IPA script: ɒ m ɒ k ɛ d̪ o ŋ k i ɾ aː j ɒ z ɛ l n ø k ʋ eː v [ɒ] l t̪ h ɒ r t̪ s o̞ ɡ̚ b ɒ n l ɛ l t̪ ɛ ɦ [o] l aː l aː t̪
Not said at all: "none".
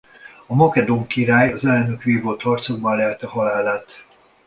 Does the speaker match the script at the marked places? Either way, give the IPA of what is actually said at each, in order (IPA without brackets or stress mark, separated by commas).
o, ɒ